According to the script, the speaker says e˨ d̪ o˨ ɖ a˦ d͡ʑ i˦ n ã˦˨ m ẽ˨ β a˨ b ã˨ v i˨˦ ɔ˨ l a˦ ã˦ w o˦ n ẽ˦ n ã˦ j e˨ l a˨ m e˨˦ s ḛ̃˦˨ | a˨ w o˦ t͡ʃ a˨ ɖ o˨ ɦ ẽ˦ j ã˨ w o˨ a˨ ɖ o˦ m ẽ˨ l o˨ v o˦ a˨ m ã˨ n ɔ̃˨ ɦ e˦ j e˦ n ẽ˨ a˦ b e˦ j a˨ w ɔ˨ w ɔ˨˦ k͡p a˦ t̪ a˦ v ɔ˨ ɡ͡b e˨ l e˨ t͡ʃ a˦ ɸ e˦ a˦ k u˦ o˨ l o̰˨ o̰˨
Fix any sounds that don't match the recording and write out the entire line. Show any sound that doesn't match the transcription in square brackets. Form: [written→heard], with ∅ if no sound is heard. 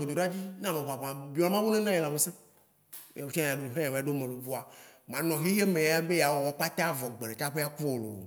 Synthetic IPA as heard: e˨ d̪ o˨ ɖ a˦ d͡ʑ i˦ n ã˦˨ m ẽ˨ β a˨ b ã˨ [v→b] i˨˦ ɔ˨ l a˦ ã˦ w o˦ n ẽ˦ n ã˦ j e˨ l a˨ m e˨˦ s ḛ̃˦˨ | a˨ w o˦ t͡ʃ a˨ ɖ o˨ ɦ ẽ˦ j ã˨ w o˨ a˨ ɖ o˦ m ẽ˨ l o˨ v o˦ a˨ m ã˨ n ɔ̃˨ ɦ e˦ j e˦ [n→m] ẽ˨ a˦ b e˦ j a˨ w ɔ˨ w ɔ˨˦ k͡p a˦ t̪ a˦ v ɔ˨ ɡ͡b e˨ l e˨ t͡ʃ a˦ ɸ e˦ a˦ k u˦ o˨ l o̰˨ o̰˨